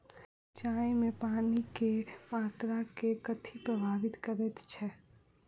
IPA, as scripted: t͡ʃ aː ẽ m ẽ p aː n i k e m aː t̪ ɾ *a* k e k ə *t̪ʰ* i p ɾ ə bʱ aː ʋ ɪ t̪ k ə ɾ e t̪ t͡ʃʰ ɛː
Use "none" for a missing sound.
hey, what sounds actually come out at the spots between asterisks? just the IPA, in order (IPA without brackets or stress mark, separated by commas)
a, t̪ʰ